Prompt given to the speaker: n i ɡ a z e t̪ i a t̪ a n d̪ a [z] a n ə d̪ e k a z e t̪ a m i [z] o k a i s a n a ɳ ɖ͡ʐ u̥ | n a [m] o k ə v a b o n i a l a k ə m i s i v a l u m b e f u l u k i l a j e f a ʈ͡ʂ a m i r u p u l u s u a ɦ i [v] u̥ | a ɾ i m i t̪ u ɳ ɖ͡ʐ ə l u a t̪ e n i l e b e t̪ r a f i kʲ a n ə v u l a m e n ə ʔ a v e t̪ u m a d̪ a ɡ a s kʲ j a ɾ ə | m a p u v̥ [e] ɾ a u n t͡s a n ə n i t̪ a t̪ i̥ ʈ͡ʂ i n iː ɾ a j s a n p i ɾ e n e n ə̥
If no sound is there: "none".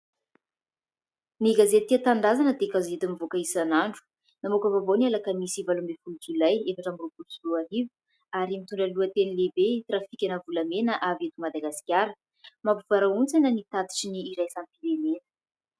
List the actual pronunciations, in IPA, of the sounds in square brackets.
z, v, m, v, a

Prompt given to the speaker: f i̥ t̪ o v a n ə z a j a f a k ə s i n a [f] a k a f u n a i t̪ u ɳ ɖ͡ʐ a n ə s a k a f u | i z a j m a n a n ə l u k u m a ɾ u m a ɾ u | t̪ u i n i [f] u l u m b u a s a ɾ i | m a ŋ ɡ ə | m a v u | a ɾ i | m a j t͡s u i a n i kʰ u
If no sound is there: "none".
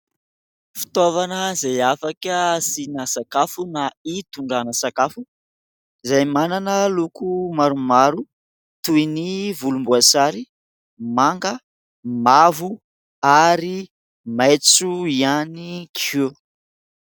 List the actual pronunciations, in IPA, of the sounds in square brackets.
s, v

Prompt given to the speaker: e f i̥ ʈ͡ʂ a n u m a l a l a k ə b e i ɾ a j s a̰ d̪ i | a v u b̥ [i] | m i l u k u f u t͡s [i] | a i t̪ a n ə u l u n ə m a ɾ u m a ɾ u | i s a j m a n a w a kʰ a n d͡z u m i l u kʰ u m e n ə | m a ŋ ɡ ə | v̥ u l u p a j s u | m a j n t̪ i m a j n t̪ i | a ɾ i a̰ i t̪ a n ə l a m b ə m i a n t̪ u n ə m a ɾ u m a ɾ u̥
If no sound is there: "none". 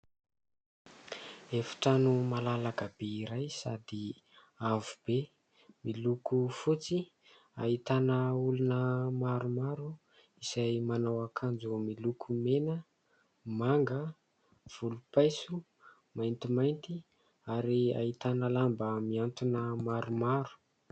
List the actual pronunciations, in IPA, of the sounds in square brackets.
e, i

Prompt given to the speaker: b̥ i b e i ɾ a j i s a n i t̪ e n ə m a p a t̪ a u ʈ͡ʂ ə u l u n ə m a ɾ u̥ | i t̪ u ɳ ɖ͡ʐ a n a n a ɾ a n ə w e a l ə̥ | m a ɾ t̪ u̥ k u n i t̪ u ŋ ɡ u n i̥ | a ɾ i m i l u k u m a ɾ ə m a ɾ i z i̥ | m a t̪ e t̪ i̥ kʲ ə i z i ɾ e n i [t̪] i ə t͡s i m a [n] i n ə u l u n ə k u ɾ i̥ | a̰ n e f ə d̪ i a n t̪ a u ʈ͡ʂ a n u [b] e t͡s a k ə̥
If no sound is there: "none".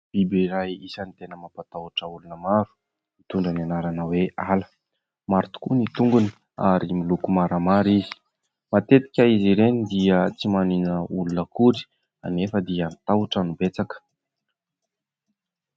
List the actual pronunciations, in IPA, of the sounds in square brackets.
d̪, n, b

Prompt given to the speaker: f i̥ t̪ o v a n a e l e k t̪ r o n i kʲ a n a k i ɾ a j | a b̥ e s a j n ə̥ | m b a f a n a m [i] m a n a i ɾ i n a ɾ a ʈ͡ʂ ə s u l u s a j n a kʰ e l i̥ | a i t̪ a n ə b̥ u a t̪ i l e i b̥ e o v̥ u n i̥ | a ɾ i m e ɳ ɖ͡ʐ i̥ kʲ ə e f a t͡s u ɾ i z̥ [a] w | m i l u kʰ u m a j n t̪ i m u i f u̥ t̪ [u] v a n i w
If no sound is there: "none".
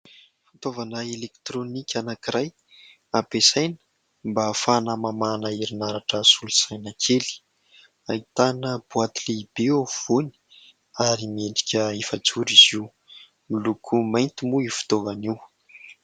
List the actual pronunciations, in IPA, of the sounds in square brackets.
a, i, o

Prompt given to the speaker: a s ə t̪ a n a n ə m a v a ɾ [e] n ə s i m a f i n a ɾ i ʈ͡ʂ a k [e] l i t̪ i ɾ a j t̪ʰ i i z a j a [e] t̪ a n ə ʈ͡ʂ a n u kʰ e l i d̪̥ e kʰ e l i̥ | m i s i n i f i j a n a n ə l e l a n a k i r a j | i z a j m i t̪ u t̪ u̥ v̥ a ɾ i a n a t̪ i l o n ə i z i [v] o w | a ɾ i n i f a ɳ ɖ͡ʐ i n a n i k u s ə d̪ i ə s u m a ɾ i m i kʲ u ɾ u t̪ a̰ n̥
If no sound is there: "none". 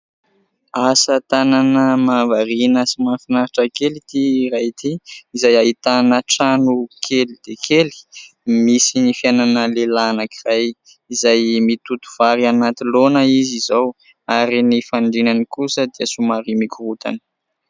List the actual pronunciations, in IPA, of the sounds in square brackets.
i, e, i, z

